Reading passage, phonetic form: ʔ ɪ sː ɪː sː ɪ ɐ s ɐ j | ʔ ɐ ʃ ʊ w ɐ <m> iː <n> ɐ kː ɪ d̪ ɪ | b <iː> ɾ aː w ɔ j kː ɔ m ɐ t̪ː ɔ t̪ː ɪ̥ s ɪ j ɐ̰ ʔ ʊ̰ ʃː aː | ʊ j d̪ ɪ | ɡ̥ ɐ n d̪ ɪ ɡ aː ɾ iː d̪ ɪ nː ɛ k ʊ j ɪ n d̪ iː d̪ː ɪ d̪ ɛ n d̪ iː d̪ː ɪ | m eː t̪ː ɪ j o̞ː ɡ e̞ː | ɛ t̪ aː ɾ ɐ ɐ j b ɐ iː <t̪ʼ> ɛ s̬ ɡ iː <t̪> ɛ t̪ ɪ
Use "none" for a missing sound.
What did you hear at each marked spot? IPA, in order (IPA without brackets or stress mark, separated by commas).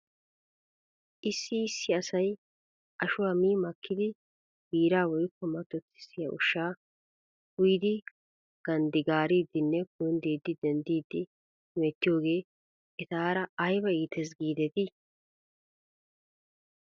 m, m, iː, t̪, d̪